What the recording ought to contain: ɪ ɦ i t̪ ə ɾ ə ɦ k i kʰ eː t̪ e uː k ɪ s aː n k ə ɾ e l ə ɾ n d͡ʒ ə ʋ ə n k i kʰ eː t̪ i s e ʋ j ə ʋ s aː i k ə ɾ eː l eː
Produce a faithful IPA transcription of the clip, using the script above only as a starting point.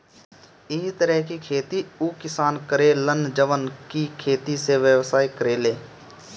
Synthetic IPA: ɪ ɦ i t̪ ə ɾ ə ɦ k i kʰ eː t̪ i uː k ɪ s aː n k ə ɾ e l ə n d͡ʒ ə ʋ ə n k i kʰ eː t̪ i s e ʋ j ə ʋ s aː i k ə ɾ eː l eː